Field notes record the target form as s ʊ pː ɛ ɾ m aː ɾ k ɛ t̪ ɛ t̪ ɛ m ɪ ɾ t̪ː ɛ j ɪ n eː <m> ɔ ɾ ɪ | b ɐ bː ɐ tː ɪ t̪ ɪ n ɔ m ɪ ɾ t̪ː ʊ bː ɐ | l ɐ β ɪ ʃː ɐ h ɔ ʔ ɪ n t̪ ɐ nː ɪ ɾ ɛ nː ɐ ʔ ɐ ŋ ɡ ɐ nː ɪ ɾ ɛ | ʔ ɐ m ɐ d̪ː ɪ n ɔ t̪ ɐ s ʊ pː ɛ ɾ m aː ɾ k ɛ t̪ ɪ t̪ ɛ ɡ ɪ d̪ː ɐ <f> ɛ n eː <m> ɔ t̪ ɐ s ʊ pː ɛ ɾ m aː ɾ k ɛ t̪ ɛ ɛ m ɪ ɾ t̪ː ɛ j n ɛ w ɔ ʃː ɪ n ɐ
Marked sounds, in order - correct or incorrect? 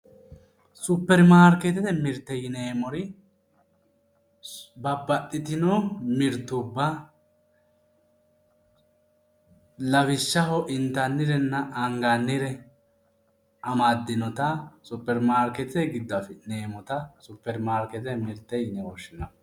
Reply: correct, correct, correct

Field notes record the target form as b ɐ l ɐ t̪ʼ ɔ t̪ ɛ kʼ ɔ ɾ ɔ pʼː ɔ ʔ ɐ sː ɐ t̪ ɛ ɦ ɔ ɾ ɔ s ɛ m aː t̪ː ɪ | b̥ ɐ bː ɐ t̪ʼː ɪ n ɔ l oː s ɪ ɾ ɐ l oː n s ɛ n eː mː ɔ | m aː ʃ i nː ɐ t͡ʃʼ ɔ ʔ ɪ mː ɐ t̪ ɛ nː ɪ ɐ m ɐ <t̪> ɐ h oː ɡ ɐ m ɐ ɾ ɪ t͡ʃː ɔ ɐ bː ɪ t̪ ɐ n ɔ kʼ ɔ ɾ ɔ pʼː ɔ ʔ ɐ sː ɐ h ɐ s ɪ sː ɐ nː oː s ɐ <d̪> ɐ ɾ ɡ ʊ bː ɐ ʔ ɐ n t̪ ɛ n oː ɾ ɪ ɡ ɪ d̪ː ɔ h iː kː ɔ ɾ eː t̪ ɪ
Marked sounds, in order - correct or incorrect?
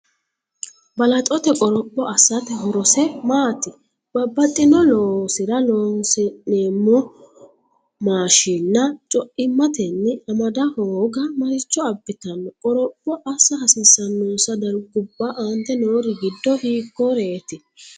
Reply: incorrect, correct

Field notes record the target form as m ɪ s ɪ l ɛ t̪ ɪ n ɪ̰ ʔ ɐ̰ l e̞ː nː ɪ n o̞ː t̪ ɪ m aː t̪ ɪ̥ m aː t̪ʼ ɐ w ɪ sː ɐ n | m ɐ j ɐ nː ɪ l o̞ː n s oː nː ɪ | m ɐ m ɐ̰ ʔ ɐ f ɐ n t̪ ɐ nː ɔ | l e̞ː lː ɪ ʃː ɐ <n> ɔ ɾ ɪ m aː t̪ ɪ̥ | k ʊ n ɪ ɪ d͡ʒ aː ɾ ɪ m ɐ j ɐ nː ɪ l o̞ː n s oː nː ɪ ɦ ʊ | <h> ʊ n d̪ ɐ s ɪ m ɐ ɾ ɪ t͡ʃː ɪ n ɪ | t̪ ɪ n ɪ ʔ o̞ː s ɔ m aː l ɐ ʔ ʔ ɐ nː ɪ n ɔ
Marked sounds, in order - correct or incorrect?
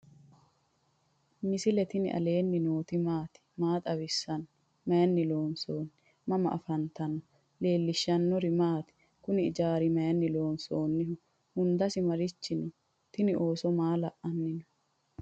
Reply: incorrect, correct

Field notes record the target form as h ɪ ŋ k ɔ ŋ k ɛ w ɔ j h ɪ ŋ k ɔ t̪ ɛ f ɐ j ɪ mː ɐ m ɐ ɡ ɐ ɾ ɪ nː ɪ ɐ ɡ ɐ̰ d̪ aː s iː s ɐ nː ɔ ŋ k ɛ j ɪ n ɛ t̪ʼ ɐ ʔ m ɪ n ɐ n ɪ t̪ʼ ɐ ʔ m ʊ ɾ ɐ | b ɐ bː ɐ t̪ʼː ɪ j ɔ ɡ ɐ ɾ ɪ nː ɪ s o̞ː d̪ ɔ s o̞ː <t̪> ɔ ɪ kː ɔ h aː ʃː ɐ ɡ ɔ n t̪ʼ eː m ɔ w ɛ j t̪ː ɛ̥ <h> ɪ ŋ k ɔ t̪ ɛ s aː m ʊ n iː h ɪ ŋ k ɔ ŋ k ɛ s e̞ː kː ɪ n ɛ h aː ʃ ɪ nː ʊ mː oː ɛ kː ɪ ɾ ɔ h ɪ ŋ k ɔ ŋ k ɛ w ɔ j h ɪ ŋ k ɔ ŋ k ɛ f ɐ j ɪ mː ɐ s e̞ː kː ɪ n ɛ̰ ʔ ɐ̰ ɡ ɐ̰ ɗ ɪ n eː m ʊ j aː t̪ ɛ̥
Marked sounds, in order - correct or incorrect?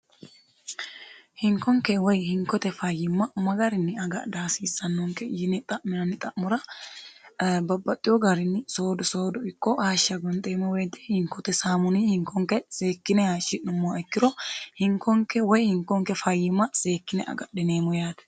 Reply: incorrect, correct

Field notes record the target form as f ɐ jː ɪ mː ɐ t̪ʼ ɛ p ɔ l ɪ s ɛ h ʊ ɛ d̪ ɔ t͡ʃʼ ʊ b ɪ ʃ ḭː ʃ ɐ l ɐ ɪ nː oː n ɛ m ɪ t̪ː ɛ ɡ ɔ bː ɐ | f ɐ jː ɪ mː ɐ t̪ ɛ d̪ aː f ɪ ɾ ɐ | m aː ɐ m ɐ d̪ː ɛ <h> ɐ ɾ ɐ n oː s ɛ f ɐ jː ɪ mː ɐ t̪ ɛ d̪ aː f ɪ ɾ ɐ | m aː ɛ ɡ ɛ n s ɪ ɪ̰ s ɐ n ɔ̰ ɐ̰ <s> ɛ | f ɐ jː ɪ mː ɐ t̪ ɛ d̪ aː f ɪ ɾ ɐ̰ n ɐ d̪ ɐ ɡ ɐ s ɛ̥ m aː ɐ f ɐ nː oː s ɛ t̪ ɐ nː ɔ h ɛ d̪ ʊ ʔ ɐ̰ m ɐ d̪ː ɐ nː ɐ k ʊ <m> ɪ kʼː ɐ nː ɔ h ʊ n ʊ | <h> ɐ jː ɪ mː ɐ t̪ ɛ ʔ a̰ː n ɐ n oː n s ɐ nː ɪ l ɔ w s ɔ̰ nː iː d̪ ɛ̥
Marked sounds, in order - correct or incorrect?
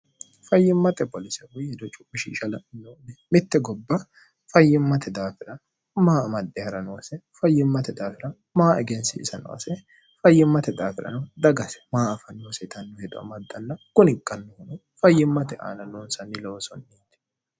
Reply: correct, correct, incorrect, incorrect

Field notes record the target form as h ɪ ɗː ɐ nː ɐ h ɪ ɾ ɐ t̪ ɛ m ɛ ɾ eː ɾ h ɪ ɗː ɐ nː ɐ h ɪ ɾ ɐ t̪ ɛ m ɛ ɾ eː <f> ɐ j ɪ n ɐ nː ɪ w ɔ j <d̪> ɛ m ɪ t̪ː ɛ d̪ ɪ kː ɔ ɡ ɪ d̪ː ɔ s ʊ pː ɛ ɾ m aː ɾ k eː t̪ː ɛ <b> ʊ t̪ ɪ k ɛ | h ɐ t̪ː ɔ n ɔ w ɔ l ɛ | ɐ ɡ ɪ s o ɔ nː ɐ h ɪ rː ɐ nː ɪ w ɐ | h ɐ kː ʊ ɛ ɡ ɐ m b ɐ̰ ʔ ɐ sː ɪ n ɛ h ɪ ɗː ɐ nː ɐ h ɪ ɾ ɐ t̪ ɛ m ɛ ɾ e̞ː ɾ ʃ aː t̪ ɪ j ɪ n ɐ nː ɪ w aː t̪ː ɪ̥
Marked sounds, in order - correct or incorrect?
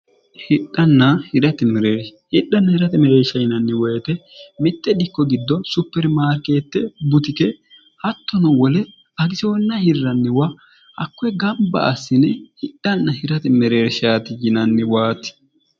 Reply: incorrect, incorrect, correct

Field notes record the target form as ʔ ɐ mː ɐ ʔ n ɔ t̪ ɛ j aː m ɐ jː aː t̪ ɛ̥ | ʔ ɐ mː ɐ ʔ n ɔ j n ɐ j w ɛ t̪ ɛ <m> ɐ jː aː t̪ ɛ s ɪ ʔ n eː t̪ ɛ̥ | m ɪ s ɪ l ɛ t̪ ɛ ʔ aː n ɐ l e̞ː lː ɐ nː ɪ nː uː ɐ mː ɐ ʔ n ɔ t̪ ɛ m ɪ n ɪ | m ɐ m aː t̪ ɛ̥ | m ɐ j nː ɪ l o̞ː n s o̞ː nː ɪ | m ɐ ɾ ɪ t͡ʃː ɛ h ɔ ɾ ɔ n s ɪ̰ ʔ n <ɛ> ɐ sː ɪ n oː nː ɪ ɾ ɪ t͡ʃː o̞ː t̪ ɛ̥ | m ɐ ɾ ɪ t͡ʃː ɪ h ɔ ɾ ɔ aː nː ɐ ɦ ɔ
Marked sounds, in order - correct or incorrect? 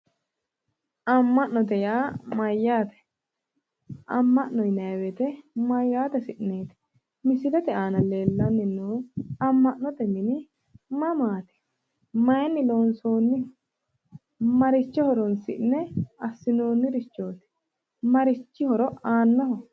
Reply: correct, correct

